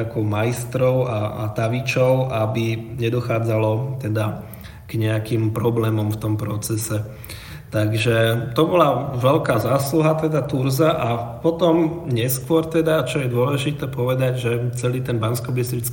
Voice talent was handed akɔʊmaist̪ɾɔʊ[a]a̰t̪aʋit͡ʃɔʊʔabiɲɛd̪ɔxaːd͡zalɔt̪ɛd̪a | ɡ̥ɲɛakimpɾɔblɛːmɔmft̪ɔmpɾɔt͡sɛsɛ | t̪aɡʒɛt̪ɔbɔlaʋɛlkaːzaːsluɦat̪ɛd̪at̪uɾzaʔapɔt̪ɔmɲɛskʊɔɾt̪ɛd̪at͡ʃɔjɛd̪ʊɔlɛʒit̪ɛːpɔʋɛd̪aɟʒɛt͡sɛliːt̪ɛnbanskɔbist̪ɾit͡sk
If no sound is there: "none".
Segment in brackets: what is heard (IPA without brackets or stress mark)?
a